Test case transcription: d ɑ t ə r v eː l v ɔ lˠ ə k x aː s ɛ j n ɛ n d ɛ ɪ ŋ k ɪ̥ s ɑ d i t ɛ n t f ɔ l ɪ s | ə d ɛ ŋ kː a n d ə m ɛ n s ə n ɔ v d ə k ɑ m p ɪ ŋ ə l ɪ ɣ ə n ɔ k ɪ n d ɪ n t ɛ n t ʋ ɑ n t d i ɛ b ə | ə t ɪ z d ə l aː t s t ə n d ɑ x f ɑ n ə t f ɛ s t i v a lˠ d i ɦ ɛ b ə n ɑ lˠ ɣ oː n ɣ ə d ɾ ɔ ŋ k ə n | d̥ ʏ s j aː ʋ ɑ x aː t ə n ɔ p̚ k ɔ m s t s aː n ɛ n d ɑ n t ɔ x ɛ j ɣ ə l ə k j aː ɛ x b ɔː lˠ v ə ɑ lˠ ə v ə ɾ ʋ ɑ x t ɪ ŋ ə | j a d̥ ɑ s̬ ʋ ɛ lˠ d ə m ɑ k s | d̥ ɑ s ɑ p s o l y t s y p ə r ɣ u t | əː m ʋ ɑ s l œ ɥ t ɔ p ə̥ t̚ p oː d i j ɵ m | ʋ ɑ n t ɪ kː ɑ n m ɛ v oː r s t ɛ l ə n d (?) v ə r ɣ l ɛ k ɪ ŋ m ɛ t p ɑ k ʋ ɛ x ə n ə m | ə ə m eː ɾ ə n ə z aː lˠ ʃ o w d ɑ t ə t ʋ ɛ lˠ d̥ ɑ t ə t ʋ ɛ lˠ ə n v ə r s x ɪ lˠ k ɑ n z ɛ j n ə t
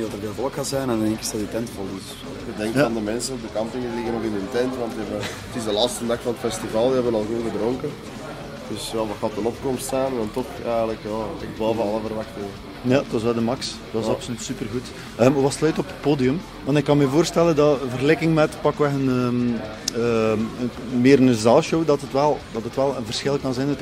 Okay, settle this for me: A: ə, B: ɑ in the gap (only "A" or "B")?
B